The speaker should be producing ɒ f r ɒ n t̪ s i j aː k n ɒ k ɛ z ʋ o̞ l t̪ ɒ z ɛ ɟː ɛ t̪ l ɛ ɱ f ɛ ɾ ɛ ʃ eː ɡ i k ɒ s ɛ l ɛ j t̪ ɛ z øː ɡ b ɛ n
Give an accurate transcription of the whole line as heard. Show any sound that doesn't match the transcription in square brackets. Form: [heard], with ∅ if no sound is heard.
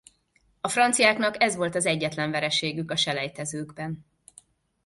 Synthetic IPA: ɒ f r ɒ n t̪ s i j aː k n ɒ k ɛ z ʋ o̞ l t̪ ɒ z ɛ ɟː ɛ t̪ l ɛ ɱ [v] ɛ ɾ ɛ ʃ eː ɡ [y] k ɒ [ʃ] ɛ l ɛ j t̪ ɛ z øː ɡ b ɛ n